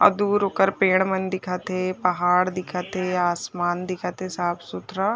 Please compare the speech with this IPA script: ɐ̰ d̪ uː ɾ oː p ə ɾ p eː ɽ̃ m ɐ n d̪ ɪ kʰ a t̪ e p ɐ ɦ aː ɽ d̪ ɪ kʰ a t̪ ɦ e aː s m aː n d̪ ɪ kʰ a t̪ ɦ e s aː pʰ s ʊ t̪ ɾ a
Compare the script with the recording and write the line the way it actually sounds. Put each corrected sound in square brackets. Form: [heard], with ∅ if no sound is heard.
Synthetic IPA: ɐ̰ d̪ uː ɾ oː [k] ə ɾ p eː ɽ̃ m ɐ n d̪ ɪ kʰ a t̪ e p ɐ ɦ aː ɽ d̪ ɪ kʰ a t̪ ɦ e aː s m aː n d̪ ɪ kʰ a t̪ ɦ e s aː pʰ s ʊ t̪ ɾ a